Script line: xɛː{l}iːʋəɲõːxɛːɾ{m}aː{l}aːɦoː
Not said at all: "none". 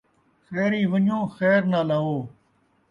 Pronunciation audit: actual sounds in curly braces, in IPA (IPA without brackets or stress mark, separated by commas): ɾ, n, l